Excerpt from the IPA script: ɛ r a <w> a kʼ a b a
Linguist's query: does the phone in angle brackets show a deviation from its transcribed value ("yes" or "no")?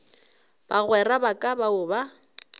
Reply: yes